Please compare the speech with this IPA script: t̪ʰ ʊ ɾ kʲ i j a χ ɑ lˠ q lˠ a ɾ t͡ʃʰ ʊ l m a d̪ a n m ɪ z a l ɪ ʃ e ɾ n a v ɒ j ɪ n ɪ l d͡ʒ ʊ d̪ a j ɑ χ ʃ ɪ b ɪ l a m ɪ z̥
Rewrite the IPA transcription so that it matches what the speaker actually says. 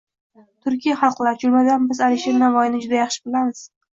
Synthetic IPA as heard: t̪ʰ ʊ ɾ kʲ i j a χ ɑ lˠ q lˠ a ɾ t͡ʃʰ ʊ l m a d̪ a n b ɪ z a l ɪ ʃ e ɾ n a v ɒ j ɪ n ɪ d͡ʒ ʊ d̪ a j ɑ χ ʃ ɪ b ɪ l a m ɪ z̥